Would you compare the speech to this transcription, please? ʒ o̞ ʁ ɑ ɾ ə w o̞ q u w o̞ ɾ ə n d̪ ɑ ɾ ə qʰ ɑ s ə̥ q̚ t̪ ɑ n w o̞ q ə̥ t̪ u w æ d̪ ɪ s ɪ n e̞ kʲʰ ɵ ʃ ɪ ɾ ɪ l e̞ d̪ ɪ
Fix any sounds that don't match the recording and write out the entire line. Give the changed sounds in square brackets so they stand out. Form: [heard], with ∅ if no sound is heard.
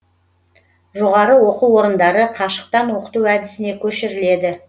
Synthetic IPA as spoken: ʒ o̞ ʁ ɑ ɾ ə w o̞ q u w o̞ ɾ ə n d̪ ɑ ɾ ə qʰ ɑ [ʃ] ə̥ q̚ t̪ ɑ n w o̞ q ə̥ t̪ u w æ d̪ ɪ s ɪ n e̞ kʲʰ ɵ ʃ ɪ ɾ ɪ l e̞ d̪ ɪ